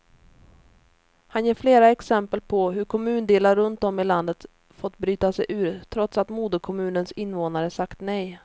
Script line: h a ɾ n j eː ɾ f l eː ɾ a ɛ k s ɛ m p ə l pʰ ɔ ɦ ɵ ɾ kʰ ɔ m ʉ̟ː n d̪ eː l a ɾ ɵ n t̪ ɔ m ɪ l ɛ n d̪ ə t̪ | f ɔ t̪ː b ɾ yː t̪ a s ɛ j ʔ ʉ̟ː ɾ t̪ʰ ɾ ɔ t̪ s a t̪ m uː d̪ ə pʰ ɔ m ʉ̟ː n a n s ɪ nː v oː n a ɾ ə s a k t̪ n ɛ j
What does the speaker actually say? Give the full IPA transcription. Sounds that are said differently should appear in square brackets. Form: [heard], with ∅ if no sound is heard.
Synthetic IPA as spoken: h a [∅] n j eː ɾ f l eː ɾ a ɛ k s ɛ m p ə l pʰ ɔ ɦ ɵ ɾ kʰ ɔ m ʉ̟ː n d̪ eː l a ɾ ɵ n t̪ ɔ m ɪ l [a] n d̪ ə t̪ | f ɔ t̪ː b ɾ yː t̪ a s ɛ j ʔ ʉ̟ː ɾ t̪ʰ ɾ ɔ t̪ s a t̪ m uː d̪ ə [kʰ] ɔ m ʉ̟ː n [ə] n s ɪ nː v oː n a ɾ ə s a k t̪ n ɛ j